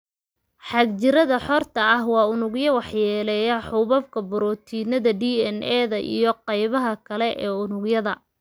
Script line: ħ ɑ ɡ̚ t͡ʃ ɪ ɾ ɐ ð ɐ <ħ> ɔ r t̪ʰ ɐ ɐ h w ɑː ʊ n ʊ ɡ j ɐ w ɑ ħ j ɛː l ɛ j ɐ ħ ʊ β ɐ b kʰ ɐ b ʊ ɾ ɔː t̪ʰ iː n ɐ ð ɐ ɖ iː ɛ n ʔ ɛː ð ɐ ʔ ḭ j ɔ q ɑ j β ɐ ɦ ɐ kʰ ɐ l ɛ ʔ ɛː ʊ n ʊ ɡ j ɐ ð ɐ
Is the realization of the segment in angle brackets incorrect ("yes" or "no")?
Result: no